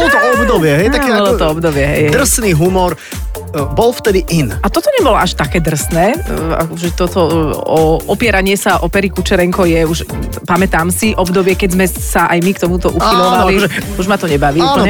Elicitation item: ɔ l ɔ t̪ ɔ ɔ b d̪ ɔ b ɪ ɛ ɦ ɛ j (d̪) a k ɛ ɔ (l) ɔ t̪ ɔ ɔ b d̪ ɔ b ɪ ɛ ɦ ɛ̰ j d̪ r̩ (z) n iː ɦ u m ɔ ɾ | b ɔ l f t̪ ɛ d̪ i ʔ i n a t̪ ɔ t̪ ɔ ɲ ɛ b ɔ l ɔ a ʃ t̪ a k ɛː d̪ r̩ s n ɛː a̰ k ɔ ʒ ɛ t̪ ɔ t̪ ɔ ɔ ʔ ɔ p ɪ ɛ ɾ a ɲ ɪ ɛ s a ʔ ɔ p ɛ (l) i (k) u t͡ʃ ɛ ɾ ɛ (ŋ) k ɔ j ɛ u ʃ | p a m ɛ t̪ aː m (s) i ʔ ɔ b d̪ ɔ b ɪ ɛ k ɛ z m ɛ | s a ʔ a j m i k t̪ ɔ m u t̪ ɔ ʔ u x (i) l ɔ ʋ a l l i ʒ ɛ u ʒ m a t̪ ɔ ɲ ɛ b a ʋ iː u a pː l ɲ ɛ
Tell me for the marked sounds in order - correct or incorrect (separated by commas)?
incorrect, correct, incorrect, incorrect, correct, correct, correct, correct